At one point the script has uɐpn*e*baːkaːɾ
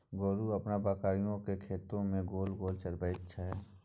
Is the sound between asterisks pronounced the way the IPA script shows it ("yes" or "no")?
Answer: no